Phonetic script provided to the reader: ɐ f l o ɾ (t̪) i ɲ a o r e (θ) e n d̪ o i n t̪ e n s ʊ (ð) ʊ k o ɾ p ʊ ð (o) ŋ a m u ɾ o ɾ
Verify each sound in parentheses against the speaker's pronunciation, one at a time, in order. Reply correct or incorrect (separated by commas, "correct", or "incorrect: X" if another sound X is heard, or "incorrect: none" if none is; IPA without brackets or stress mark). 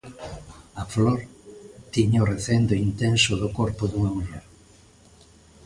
correct, correct, correct, incorrect: u